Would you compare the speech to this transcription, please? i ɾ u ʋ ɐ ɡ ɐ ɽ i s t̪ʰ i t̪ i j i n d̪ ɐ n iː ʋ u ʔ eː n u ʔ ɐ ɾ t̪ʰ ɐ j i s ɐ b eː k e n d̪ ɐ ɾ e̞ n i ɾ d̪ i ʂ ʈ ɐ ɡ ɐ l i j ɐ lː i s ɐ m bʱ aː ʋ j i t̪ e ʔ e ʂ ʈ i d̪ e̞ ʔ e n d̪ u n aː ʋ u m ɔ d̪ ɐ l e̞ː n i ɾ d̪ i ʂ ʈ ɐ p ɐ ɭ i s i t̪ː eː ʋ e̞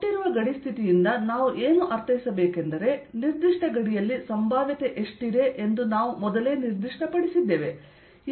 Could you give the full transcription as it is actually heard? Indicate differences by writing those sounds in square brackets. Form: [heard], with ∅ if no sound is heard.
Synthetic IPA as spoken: i ɾ u ʋ ɐ ɡ ɐ ɽ i s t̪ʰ i t̪ i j i n d̪ ɐ n [aː] ʋ u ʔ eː n u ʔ ɐ ɾ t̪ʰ ɐ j i s ɐ b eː k e n d̪ ɐ ɾ e̞ n i ɾ d̪ i ʂ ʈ ɐ ɡ ɐ [ɽ] i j ɐ lː i s ɐ m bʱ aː ʋ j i t̪ e ʔ e ʂ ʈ i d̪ e̞ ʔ e n d̪ u n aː ʋ u m ɔ d̪ ɐ l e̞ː n i ɾ d̪ i ʂ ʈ ɐ p ɐ [ɽ] i s i [d̪ː] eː ʋ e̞